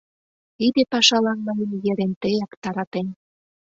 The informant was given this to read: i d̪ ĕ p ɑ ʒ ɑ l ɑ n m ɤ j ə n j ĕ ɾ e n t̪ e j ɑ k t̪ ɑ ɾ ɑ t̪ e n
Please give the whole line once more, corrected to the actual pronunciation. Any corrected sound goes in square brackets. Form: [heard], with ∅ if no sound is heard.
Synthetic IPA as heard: i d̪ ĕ p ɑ [ʃ] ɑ l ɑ n m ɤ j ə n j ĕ ɾ e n t̪ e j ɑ k t̪ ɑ ɾ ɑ t̪ e n